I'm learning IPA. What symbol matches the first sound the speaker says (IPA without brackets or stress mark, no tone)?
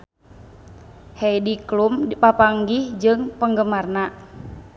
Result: h